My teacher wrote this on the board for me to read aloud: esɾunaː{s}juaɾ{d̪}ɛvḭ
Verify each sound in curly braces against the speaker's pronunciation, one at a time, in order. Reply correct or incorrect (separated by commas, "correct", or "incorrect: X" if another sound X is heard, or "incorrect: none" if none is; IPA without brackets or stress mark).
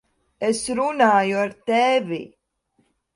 incorrect: none, incorrect: t̪